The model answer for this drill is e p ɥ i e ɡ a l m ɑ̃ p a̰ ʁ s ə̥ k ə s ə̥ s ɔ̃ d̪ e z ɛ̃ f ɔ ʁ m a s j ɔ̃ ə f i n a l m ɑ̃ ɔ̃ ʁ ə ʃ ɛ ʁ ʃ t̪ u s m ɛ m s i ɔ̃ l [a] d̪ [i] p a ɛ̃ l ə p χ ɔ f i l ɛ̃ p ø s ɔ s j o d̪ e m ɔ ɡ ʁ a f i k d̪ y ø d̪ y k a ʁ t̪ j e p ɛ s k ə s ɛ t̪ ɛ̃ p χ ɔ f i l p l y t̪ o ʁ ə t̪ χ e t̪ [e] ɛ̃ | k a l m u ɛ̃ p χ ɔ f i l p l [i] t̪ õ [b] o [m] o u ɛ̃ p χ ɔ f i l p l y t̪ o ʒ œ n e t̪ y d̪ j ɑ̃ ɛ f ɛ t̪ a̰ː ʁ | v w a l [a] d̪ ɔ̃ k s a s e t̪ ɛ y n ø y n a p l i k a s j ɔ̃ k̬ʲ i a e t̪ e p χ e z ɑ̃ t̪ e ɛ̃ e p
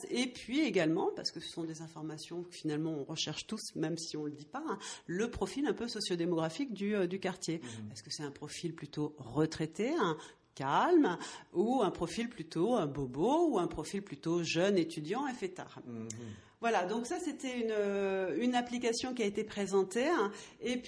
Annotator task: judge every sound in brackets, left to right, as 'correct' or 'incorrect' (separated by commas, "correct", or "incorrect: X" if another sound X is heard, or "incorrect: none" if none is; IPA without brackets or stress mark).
incorrect: ə, correct, correct, incorrect: y, correct, incorrect: b, correct